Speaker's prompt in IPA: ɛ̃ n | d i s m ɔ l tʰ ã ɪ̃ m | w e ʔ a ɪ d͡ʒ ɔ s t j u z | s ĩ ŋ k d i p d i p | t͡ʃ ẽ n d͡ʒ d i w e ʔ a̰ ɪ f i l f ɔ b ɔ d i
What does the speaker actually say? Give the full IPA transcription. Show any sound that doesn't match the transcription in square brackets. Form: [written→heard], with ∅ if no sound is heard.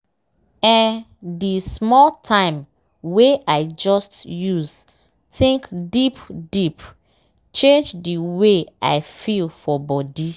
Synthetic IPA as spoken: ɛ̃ n | d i s m ɔ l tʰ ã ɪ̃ m | w e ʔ a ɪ d͡ʒ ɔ s t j u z | [s→t] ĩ ŋ k d i p d i p | t͡ʃ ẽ n d͡ʒ d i w e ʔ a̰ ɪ f i l f ɔ b ɔ d i